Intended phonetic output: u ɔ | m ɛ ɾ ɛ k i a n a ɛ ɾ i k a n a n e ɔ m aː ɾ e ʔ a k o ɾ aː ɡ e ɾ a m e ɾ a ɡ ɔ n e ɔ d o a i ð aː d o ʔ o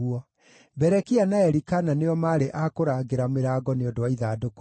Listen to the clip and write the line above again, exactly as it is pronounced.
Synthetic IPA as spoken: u ɔ | b ɛ ɾ ɛ k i a n a ɛ ɾ i k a n a n e ɔ m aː ɾ e ʔ a k o ɾ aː ɡ e ɾ a m e ɾ a ɡ ɔ n e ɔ d o a i ð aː d o k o